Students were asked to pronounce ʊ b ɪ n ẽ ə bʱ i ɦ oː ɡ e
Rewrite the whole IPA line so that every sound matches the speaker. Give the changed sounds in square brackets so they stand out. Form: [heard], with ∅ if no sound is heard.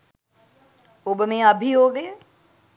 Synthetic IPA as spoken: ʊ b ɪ [m] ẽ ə bʱ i ɦ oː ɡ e